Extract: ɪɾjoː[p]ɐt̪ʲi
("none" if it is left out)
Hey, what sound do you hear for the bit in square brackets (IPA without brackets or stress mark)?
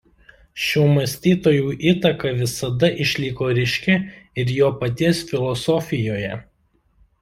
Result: p